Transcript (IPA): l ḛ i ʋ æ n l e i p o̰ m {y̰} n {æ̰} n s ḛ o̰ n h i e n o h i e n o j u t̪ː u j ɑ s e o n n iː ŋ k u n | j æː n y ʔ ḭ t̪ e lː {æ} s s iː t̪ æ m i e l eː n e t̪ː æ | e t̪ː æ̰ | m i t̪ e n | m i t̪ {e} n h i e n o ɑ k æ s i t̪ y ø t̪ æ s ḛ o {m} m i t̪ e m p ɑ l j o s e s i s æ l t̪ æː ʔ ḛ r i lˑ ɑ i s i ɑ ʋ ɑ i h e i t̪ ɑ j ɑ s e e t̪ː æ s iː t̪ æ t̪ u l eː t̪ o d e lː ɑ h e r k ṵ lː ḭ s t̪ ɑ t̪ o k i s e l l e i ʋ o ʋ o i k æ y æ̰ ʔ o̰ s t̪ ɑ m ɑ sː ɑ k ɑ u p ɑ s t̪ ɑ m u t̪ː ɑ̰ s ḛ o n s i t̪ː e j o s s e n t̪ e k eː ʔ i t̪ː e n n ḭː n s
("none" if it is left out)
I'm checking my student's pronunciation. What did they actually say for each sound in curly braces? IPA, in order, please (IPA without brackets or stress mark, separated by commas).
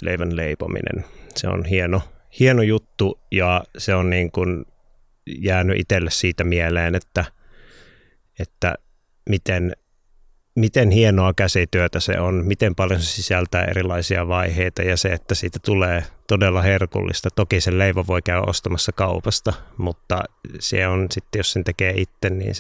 ḭ, ḛ, e, e, n